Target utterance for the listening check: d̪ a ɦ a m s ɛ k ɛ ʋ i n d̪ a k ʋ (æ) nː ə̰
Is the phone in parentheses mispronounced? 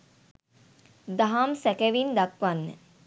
yes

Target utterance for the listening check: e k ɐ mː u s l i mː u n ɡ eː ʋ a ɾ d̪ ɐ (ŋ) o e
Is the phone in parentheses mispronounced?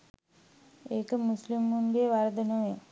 yes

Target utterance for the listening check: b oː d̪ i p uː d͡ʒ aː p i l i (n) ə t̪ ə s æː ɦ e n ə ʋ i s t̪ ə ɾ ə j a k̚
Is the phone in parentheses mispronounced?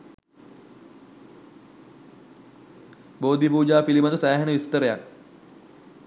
yes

